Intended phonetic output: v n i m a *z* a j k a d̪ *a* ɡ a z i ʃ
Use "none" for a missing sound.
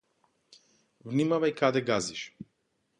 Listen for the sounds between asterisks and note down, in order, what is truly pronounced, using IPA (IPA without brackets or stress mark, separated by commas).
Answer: v, ɛ